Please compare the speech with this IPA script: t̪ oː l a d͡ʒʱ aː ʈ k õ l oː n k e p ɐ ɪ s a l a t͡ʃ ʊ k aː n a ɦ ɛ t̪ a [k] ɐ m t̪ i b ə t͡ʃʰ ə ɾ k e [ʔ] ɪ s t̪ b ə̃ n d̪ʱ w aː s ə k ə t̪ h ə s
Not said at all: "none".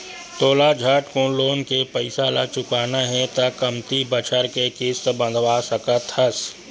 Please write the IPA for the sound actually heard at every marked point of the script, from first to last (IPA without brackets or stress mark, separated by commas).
k, k